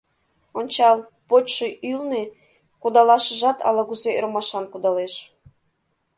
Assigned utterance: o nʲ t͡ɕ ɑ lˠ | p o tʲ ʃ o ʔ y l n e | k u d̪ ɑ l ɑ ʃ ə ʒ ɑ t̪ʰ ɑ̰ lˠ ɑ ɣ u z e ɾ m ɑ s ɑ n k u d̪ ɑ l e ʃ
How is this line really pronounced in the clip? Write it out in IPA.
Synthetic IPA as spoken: o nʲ t͡ɕ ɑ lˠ | p o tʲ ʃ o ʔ y l n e | k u d̪ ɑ l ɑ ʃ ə ʒ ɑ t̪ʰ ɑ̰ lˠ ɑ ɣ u z e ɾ m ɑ ʃ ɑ n k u d̪ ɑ l e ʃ